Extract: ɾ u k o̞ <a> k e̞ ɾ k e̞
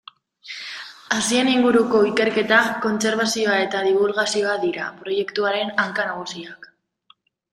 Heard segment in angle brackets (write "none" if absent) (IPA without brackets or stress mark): i